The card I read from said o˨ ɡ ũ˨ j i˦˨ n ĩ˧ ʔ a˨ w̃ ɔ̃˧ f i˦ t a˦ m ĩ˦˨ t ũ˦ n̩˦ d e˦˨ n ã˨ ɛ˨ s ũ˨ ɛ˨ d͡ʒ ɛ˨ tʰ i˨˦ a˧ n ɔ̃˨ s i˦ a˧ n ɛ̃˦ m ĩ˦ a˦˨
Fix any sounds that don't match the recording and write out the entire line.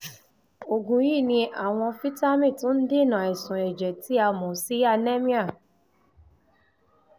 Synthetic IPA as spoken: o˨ ɡ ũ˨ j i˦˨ n ĩ˧ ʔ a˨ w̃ ɔ̃˧ f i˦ t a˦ m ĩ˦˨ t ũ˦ n̩˦ d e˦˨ n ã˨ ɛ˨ s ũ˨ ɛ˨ d͡ʒ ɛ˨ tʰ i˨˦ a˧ m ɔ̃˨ s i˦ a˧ n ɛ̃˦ m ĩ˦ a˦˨